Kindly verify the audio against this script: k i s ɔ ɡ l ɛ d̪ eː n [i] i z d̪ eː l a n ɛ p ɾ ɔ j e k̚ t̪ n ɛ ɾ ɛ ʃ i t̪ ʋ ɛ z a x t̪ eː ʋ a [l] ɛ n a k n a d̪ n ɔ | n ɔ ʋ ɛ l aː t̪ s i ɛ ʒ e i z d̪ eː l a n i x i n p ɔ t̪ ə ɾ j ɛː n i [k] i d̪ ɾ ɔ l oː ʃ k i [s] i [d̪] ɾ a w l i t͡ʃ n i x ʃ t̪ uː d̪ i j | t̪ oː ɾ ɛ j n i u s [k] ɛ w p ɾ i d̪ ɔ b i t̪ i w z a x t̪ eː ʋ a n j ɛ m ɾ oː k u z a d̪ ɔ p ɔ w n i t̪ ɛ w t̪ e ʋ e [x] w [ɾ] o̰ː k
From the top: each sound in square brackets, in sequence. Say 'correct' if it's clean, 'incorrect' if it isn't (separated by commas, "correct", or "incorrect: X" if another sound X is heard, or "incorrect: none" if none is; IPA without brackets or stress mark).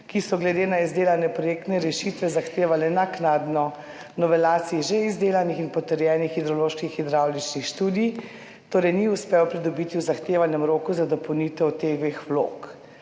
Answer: incorrect: a, correct, incorrect: x, incorrect: x, correct, incorrect: p, correct, incorrect: l